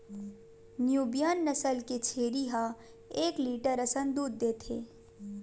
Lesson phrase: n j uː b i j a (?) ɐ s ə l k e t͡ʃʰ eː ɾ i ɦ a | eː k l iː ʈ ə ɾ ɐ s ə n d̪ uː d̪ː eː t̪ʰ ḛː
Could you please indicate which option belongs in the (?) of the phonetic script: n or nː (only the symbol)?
nː